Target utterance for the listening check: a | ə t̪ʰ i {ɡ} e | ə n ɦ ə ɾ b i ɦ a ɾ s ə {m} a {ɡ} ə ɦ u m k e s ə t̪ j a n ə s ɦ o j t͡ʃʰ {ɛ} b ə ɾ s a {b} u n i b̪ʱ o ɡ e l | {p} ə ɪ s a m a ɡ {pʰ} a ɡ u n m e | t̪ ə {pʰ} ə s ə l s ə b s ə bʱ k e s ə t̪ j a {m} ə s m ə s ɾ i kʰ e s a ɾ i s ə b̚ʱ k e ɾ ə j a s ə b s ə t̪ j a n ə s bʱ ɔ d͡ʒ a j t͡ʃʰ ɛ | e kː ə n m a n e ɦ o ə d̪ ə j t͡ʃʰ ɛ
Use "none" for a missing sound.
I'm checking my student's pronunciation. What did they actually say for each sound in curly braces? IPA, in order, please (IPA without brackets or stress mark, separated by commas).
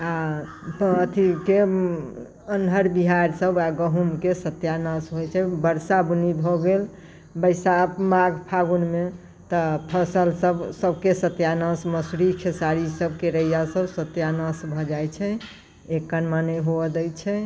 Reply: k, b, ɡ, ɛ, b, b, pʰ, pʰ, n